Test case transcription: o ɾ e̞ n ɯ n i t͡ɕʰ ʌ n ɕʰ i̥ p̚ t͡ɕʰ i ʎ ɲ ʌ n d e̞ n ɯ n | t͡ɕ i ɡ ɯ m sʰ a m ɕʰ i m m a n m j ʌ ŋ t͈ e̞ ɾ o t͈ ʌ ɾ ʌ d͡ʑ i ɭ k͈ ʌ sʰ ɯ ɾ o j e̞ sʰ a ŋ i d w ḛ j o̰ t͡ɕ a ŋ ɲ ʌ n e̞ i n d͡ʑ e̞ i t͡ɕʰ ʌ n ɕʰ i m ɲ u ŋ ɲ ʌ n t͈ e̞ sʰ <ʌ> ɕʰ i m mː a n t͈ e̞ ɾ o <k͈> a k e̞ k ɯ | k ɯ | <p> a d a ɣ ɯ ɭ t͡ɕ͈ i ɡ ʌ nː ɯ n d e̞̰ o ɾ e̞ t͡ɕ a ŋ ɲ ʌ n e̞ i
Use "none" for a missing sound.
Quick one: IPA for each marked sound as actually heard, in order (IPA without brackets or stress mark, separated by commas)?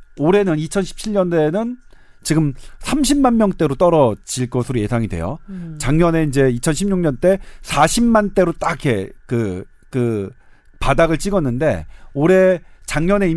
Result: a, t͈, p